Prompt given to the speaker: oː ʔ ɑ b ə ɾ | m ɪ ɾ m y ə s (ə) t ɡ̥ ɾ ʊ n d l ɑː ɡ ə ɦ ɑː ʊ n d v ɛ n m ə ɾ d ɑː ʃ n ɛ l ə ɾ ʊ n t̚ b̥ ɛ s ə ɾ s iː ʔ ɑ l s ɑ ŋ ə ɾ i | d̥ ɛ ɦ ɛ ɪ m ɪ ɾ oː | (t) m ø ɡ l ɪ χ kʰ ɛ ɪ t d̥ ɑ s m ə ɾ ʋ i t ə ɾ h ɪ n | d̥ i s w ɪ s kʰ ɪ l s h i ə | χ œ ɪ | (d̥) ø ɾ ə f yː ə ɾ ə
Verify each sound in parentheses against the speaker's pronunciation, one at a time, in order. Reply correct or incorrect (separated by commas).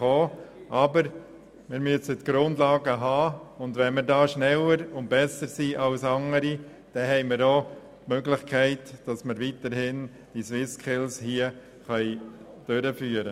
correct, correct, correct